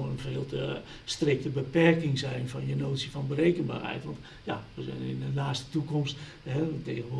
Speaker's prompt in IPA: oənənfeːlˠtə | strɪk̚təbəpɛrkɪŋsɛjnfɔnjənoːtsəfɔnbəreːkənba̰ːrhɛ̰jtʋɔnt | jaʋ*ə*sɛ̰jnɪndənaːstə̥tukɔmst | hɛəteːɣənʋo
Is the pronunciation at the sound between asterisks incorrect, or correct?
correct